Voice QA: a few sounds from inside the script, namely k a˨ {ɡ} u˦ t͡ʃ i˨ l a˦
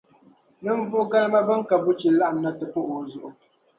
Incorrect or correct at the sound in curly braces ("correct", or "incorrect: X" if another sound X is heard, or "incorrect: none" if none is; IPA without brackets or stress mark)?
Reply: incorrect: b